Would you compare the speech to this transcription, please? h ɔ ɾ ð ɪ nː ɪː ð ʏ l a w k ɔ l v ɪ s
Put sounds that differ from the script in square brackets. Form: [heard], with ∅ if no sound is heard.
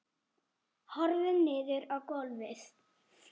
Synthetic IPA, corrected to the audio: h ɔ ɾ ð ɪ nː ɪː ð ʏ [ɾ] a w k ɔ l v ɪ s